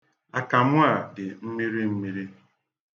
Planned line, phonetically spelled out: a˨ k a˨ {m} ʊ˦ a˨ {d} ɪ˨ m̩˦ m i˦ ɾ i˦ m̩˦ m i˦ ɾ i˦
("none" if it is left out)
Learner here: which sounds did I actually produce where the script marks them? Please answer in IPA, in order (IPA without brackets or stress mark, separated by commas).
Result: m, d